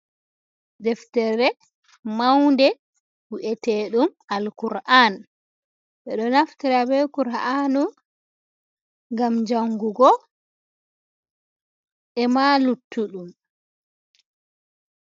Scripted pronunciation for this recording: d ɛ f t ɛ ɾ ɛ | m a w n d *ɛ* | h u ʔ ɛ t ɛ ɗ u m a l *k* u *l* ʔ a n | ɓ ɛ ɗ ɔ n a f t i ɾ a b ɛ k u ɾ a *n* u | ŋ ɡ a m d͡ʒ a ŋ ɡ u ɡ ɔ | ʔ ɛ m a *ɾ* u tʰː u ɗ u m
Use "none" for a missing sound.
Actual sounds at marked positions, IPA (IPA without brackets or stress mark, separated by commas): ɛ, k, ɾ, n, l